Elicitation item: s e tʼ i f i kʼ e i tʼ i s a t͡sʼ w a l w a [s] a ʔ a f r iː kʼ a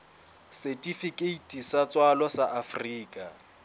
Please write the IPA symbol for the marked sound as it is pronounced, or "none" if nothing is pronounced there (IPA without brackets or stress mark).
s